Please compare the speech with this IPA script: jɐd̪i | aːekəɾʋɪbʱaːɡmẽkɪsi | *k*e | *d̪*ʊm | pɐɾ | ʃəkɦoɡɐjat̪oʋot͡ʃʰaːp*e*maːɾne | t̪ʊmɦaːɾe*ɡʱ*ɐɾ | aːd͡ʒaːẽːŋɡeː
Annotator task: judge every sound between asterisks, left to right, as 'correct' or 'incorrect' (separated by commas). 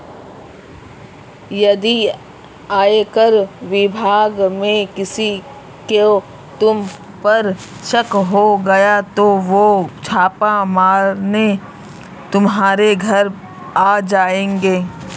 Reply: correct, incorrect, incorrect, correct